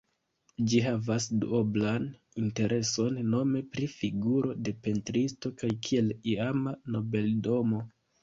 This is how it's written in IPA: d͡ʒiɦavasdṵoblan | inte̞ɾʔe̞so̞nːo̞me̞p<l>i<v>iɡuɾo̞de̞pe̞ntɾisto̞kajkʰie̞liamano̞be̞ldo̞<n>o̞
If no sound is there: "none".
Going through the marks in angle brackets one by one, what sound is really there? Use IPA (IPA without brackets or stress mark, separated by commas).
ɾ, f, m